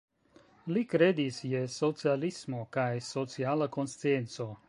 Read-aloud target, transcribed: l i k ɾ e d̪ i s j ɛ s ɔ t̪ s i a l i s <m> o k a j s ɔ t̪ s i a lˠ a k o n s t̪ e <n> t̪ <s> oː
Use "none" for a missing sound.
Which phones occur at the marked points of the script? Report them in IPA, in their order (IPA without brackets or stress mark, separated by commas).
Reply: m, n, s